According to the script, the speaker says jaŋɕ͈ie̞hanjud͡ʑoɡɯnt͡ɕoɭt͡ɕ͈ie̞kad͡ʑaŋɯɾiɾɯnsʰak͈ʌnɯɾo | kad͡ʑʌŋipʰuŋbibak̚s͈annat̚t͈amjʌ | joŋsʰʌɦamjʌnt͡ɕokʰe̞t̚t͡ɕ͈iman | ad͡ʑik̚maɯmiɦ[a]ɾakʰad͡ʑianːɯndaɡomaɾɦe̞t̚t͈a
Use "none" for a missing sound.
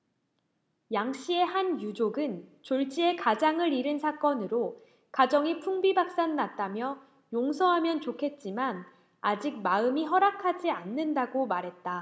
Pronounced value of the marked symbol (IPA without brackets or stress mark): ʌ